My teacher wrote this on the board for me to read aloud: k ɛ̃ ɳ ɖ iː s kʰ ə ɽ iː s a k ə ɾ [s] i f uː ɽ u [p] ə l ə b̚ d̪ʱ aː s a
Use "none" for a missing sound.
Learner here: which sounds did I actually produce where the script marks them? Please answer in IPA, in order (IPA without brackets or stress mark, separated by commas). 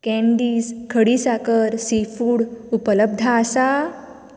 s, p